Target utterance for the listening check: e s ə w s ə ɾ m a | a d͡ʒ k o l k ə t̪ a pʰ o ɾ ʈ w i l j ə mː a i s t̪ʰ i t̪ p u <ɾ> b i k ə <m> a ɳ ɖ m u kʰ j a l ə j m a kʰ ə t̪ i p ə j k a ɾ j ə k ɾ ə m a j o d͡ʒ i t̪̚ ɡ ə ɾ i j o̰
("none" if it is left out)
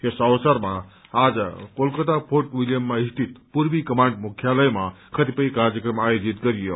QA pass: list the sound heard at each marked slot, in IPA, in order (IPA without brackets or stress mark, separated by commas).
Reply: ɾ, m